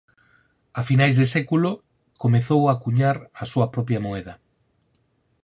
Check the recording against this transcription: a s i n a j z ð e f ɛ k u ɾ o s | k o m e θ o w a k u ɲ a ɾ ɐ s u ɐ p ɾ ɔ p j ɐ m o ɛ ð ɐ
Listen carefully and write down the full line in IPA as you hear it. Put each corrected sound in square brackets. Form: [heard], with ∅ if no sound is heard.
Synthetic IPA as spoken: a [f] i n a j z ð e [s] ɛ k u [l] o [∅] | k o m e θ o w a k u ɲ a ɾ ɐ s u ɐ p ɾ ɔ p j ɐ m o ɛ ð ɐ